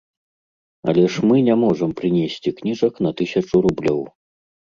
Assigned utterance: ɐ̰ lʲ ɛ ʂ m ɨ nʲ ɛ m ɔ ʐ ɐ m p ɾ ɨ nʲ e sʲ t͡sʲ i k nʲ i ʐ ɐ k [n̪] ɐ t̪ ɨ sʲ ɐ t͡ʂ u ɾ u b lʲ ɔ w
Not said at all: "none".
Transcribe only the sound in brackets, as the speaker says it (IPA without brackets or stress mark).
n̪